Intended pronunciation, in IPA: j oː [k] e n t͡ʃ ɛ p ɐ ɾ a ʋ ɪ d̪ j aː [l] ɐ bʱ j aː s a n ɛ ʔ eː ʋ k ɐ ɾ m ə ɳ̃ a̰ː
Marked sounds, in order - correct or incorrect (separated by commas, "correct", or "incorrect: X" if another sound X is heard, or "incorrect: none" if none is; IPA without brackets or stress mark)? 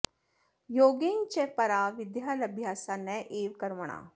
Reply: incorrect: ɡ, correct